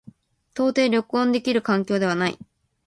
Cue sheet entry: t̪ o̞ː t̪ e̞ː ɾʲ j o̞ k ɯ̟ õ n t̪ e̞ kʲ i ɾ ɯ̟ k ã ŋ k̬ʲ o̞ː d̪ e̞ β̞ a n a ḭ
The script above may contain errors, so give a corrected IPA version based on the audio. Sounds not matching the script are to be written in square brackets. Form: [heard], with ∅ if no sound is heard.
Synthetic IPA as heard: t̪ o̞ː t̪ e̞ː ɾʲ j o̞ k ɯ̟ õ n [d̪] e̞ kʲ i ɾ ɯ̟ k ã ŋ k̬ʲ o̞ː d̪ e̞ β̞ a n a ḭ